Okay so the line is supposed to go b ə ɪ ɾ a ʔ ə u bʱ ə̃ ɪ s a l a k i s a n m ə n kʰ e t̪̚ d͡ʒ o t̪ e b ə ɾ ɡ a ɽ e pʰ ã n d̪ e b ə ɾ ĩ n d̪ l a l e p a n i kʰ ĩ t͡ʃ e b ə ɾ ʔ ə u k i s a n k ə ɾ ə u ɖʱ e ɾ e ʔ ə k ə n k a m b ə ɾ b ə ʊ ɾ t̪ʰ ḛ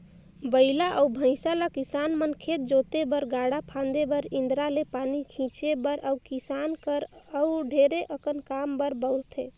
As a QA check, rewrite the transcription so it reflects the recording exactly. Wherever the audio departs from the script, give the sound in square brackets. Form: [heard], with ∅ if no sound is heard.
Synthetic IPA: b ə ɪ [l] a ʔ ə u bʱ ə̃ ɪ s a l a k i s a n m ə n kʰ e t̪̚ d͡ʒ o t̪ e b ə ɾ ɡ a ɽ [a] pʰ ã n d̪ e b ə ɾ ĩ n d̪ [ɾ] a l e p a n i kʰ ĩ t͡ʃ e b ə ɾ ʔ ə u k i s a n k ə ɾ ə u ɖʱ e ɾ e ʔ ə k ə n k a m b ə ɾ b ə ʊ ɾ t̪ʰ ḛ

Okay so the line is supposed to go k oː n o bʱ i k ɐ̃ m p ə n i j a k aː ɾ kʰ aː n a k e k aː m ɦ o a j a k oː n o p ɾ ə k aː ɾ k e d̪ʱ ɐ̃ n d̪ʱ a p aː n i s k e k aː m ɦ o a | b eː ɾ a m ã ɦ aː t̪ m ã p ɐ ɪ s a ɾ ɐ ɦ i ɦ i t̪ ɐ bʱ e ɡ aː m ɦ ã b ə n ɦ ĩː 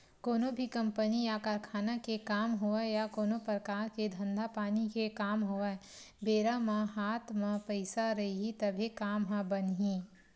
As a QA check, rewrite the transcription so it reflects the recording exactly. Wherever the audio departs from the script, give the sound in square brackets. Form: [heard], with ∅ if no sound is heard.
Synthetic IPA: k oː n o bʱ i k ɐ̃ m p ə n i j a k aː ɾ kʰ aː n a k e k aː m ɦ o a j a k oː n o p ɾ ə k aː ɾ k e d̪ʱ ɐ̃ n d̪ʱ a p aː n i [∅] k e k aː m ɦ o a | b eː ɾ a m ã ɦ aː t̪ m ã p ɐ ɪ s a ɾ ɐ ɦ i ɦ i t̪ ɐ bʱ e [k] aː m ɦ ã b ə n ɦ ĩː

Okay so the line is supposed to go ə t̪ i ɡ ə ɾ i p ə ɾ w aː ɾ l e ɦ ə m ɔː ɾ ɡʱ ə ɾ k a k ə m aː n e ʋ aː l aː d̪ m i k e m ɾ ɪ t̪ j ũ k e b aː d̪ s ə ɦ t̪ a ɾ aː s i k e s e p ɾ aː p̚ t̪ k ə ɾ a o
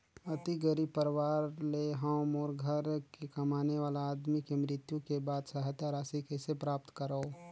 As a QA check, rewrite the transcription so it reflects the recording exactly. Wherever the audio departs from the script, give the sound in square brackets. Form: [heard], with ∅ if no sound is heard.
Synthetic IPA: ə t̪ i ɡ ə ɾ i p ə ɾ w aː ɾ l e ɦ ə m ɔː ɾ ɡʱ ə ɾ k [e] k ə m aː n e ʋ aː l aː d̪ m i k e m ɾ ɪ t̪ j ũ k e b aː d̪ s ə ɦ t̪ a ɾ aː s i k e s e p ɾ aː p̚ t̪ k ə ɾ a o

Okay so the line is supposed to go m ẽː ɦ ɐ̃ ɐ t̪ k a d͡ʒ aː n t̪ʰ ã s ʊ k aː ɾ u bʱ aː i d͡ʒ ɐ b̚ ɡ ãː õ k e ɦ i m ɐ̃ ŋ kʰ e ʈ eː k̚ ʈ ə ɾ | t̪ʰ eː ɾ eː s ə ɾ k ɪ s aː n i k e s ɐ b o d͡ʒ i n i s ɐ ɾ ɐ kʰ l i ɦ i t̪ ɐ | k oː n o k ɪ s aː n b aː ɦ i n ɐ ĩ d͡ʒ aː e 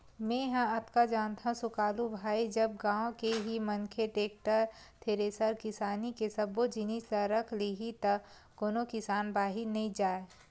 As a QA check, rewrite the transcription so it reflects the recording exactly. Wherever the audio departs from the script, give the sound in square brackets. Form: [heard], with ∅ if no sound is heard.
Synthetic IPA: m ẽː ɦ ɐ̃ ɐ t̪ k a d͡ʒ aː n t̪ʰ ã s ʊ k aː [l] u bʱ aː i d͡ʒ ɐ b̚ ɡ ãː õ k e ɦ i m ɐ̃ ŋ kʰ e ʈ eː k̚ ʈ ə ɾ | t̪ʰ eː ɾ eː s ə ɾ k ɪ s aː n i k e s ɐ b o d͡ʒ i n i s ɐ ɾ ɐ kʰ l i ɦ i t̪ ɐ | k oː n o k ɪ s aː n b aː ɦ i n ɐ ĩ d͡ʒ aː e

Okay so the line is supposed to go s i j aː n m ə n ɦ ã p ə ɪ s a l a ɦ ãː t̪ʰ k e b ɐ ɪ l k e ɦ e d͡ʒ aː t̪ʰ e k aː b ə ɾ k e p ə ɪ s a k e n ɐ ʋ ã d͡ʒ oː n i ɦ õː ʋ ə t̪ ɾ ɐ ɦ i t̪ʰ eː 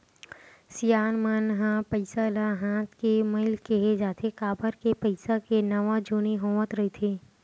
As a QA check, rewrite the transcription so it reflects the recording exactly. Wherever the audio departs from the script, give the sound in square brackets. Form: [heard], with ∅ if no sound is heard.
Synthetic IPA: s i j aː n m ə n ɦ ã p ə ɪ s a l a ɦ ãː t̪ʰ k e [m] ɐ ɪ l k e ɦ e d͡ʒ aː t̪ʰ e k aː b ə ɾ k e p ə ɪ s a k e n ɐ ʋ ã d͡ʒ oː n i ɦ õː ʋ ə t̪ ɾ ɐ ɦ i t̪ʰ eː

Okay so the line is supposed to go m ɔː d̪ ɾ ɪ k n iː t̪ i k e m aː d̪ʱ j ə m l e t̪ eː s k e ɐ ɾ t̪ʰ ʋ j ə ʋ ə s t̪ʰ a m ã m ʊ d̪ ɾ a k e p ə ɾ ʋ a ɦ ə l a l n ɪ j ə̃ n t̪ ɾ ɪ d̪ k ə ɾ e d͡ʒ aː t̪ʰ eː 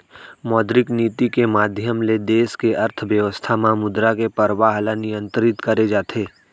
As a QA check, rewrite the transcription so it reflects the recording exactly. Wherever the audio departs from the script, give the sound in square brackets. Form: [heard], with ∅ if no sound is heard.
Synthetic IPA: m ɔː d̪ ɾ ɪ k n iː t̪ i k e m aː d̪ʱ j ə m l e [d̪] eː s k e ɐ ɾ t̪ʰ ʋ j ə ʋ ə s t̪ʰ a m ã m ʊ d̪ ɾ a k e p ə ɾ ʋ a ɦ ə l a [∅] n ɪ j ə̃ n t̪ ɾ ɪ [t̪] k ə ɾ e d͡ʒ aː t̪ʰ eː

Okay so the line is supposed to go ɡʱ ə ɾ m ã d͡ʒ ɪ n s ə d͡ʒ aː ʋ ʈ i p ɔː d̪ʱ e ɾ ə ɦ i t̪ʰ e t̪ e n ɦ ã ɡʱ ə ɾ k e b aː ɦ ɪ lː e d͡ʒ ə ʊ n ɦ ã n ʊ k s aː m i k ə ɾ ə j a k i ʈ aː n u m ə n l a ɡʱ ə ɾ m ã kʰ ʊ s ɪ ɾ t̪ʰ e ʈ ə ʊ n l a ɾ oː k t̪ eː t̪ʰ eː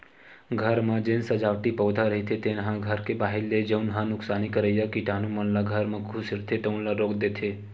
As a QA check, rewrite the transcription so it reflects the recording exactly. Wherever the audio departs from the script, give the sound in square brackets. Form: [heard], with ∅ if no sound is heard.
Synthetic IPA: ɡʱ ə ɾ m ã d͡ʒ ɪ n s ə d͡ʒ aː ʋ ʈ i p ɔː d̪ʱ [a] ɾ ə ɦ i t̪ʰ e t̪ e n ɦ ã ɡʱ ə ɾ k e b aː ɦ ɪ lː e d͡ʒ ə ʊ n ɦ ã n ʊ k s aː [n] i k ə ɾ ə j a k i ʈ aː n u m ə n l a ɡʱ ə ɾ m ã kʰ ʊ s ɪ ɾ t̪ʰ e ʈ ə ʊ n l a ɾ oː k [d̪] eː t̪ʰ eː

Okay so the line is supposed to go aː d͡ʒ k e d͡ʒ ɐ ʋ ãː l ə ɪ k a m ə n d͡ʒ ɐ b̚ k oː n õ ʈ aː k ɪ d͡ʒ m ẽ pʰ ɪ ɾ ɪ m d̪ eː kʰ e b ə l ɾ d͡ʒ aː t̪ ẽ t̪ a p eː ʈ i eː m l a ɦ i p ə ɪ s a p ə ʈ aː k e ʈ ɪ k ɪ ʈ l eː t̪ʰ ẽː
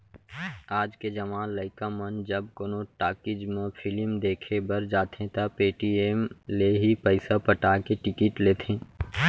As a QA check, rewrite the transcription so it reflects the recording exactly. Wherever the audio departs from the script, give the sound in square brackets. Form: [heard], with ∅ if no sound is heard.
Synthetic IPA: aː d͡ʒ k e d͡ʒ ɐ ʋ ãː l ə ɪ k a m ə n d͡ʒ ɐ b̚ k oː n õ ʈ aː k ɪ d͡ʒ m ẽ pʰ ɪ [l] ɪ m d̪ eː kʰ e b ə [∅] ɾ d͡ʒ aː t̪ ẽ t̪ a p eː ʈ i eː m l [e] ɦ i p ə ɪ s a p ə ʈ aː k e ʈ ɪ k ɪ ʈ l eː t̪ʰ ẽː

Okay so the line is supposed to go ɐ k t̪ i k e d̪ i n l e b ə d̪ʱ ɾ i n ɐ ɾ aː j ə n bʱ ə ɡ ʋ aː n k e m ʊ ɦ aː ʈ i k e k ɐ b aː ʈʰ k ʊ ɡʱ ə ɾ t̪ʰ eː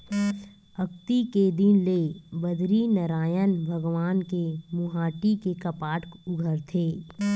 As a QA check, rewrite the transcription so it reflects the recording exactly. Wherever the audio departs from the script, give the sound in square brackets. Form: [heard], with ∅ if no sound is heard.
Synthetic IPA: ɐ k t̪ i k e d̪ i n l e b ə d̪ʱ ɾ i n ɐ ɾ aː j ə n bʱ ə ɡ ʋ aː n k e m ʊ ɦ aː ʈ i k e k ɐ [p] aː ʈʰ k ʊ ɡʱ ə ɾ t̪ʰ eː

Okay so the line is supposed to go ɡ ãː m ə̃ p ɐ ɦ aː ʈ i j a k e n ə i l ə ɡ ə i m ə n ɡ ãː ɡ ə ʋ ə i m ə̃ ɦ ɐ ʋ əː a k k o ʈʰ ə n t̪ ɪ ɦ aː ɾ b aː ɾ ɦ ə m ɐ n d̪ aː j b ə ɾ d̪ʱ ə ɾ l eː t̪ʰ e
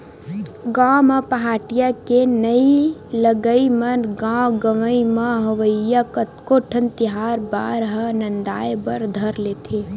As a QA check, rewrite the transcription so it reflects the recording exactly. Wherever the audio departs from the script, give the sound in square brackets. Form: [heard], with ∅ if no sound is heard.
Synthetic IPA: ɡ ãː m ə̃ p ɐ ɦ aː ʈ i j a k e n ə i l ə ɡ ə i m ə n ɡ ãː ɡ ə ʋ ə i m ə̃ ɦ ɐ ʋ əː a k k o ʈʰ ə n t̪ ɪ ɦ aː ɾ b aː ɾ ɦ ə [n] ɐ n d̪ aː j b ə ɾ d̪ʱ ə ɾ l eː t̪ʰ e

